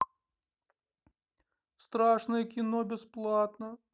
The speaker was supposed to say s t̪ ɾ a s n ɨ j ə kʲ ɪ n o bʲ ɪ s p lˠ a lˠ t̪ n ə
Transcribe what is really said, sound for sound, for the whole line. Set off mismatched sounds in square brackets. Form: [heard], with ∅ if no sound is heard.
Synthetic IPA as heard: s t̪ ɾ a [ʂ] n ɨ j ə kʲ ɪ n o bʲ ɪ s p lˠ a [∅] t̪ n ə